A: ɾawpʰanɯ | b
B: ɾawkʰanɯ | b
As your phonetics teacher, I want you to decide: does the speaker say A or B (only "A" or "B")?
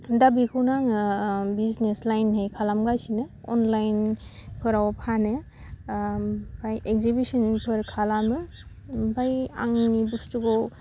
A